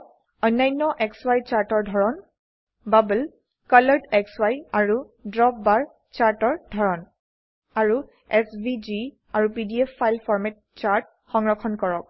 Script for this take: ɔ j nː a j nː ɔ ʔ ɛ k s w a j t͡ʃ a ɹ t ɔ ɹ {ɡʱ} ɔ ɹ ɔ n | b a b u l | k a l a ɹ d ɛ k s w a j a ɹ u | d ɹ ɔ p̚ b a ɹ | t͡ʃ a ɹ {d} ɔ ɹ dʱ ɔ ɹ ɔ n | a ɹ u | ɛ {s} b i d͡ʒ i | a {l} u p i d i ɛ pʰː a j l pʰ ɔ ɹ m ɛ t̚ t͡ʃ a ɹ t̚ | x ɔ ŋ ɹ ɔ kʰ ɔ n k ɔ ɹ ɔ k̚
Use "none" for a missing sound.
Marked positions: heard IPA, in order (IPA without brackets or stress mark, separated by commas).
dʱ, t, s, ɹ